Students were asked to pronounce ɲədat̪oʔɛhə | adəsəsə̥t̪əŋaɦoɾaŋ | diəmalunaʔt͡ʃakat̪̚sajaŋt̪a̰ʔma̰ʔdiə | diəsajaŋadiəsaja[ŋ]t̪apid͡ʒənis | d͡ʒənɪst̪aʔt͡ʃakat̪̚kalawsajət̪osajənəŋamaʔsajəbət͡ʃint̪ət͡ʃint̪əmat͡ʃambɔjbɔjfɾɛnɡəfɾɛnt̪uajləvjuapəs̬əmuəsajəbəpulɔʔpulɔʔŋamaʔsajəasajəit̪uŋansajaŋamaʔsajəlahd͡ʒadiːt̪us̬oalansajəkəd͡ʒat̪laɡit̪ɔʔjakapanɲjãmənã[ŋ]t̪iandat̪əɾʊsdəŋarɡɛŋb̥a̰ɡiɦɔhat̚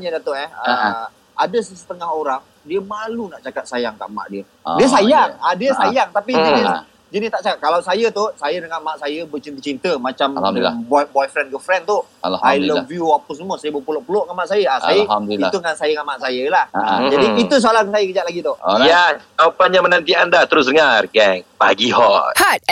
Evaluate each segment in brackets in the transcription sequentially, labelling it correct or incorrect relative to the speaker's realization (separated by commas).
correct, incorrect